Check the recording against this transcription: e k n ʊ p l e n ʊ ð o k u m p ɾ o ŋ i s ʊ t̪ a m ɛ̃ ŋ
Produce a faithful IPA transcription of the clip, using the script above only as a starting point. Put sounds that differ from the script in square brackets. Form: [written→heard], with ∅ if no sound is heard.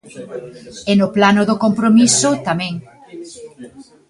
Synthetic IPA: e [k→∅] n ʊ p l [e→a] n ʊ ð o k [u→o] m p ɾ o [ŋ→m] i s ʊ t̪ a m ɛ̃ ŋ